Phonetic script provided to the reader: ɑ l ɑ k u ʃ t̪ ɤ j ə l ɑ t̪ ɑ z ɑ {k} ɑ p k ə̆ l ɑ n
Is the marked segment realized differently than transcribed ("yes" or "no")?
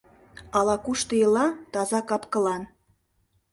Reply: no